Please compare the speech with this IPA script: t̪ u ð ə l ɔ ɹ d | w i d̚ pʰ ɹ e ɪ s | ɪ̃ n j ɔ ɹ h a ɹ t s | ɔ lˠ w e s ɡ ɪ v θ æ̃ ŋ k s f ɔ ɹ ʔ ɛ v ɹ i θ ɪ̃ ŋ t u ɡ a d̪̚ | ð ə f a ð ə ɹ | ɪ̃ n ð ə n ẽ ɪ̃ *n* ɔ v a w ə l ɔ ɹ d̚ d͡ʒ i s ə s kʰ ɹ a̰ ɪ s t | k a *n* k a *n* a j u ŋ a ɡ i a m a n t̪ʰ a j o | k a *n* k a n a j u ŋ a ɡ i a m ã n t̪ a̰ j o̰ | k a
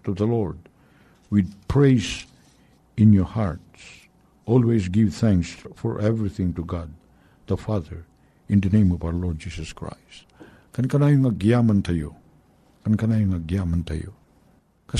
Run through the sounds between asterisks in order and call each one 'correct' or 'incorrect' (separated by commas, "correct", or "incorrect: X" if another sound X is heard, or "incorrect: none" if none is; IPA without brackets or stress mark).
incorrect: m, correct, correct, correct